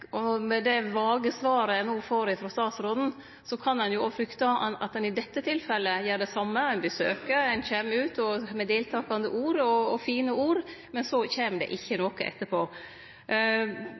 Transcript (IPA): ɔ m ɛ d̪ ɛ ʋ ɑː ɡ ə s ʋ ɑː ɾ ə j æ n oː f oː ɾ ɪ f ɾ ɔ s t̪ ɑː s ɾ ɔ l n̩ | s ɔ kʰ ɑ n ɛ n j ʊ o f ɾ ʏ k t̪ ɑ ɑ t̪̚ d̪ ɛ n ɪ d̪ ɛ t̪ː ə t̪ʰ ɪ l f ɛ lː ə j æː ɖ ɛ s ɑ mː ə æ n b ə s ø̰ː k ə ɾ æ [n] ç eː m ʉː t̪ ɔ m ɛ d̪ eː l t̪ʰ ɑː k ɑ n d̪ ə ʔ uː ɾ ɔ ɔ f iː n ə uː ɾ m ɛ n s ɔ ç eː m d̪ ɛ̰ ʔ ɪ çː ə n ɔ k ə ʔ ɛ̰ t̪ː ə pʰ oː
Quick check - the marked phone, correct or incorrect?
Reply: correct